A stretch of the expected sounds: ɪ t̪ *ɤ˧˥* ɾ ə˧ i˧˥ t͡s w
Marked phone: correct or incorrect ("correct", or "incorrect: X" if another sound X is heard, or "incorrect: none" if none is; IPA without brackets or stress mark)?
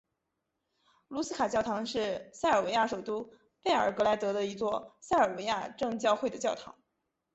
correct